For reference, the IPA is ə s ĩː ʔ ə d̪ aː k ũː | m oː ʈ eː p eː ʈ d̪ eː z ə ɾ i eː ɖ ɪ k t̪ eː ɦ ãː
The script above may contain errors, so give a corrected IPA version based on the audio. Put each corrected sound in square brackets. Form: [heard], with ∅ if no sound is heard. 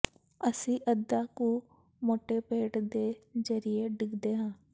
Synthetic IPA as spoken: ə s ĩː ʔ ə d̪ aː k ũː | m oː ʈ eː p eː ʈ d̪ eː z ə ɾ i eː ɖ ɪ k [d̪] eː ɦ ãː